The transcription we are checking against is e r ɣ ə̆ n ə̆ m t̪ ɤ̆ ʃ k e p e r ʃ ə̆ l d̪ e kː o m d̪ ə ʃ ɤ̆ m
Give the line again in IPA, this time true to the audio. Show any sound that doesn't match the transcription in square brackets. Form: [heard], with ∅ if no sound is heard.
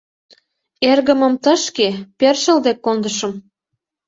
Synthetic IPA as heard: e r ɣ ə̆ [m] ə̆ m t̪ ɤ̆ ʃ k e p e r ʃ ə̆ l d̪ e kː o [n] d̪ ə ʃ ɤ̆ m